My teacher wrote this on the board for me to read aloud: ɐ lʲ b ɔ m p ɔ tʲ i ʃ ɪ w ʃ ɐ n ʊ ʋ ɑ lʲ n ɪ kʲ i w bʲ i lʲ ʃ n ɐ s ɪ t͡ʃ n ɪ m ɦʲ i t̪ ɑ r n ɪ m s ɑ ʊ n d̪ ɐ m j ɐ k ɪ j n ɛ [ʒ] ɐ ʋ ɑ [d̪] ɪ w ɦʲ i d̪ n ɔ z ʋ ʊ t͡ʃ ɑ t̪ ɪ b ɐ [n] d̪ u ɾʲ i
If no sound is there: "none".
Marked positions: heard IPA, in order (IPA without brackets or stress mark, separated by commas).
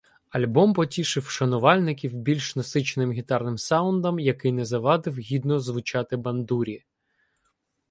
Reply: z, d̪, n